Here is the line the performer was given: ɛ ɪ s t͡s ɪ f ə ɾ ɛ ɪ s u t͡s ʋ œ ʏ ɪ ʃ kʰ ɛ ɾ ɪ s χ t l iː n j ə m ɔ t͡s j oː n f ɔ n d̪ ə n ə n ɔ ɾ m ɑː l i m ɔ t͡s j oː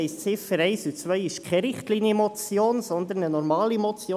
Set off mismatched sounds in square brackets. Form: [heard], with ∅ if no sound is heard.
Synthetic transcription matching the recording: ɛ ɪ s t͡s ɪ f ə ɾ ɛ ɪ s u t͡s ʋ œ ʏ ɪ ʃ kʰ ɛ ɾ ɪ [∅] χ t l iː n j ə m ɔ t͡s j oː n [s] ɔ n d̪ ə n ə n ɔ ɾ m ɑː l i m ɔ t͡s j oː